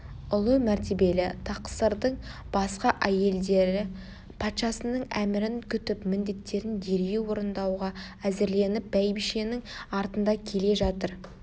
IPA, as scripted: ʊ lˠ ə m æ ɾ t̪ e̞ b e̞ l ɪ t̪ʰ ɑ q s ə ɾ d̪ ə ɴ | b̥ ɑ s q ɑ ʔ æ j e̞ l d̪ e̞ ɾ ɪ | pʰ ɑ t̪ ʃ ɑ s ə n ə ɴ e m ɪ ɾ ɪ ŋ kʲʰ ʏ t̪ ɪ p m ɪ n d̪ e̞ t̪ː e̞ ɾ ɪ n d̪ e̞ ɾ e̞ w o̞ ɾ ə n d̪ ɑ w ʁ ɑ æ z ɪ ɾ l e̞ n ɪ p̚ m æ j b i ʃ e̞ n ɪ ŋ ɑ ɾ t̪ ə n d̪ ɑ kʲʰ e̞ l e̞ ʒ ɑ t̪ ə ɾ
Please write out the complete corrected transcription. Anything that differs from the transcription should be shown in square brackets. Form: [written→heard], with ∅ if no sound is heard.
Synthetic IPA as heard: ʊ lˠ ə m æ ɾ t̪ e̞ b e̞ l ɪ t̪ʰ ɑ q s ə ɾ d̪ ə ɴ | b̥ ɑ s q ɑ ʔ æ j e̞ l d̪ e̞ ɾ ɪ | pʰ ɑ t̪ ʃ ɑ s ə n ə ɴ [e→æ] m ɪ ɾ ɪ ŋ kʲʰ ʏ t̪ ɪ p m ɪ n d̪ e̞ t̪ː e̞ ɾ ɪ n d̪ e̞ ɾ e̞ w o̞ ɾ ə n d̪ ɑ w ʁ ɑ æ z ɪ ɾ l e̞ n ɪ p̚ [m→b] æ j b i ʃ e̞ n ɪ ŋ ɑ ɾ t̪ ə n d̪ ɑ kʲʰ e̞ l e̞ ʒ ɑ t̪ ə ɾ